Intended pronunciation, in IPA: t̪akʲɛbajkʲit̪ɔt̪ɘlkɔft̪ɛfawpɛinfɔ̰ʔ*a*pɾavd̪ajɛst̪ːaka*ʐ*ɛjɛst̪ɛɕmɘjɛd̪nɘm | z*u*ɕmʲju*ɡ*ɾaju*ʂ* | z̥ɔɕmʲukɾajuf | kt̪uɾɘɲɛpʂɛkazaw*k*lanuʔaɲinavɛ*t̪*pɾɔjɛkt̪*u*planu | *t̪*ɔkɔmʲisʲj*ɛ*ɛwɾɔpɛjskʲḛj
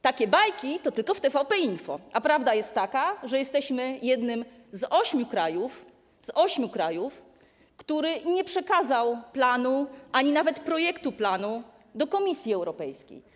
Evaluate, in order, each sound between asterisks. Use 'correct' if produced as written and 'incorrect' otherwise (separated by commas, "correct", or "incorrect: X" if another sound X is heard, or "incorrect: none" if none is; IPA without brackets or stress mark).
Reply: correct, correct, incorrect: ɔ, incorrect: k, incorrect: f, incorrect: p, correct, correct, incorrect: d̪, incorrect: i